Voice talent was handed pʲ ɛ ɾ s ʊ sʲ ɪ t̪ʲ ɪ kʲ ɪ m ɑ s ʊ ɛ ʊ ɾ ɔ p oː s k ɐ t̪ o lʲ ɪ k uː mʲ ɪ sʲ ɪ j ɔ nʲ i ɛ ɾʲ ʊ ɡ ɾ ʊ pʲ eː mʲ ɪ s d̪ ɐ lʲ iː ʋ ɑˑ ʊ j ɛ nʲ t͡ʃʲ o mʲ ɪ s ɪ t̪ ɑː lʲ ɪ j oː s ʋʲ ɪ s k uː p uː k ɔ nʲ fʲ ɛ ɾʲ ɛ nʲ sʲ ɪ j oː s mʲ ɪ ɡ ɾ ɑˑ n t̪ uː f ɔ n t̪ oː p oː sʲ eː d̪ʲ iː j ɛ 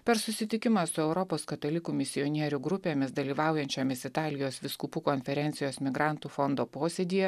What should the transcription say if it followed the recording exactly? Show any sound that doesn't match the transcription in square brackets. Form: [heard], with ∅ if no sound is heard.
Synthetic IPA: pʲ ɛ ɾ s ʊ sʲ ɪ t̪ʲ ɪ kʲ ɪ m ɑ s ʊ ɛ ʊ ɾ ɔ p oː s k ɐ t̪ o lʲ ɪ k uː mʲ ɪ sʲ ɪ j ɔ nʲ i ɛ ɾʲ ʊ ɡ ɾ ʊ pʲ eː mʲ ɪ s d̪ ɐ lʲ iː ʋ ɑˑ ʊ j ɛ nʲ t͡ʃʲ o mʲ ɪ s ɪ t̪ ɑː lʲ ɪ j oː s ʋʲ ɪ s k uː p uː k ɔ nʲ fʲ ɛ ɾʲ ɛ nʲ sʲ ɪ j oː s mʲ ɪ ɡ ɾ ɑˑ n t̪ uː f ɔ n [d̪] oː p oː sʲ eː d̪ʲ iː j ɛ